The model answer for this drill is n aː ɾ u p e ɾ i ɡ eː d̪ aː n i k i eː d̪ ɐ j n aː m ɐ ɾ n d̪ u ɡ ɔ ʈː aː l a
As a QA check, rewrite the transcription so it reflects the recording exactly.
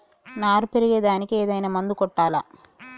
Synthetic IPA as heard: n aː ɾ u p e ɾ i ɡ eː d̪ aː n i k i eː d̪ ɐ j n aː m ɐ n d̪ u k ɔ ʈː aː l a